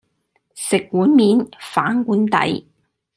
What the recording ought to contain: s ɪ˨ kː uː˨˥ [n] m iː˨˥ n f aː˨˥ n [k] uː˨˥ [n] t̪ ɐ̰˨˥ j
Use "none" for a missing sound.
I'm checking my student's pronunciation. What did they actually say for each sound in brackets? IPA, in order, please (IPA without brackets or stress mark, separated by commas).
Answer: n, k, n